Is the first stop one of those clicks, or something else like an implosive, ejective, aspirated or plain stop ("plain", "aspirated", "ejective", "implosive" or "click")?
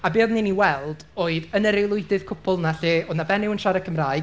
plain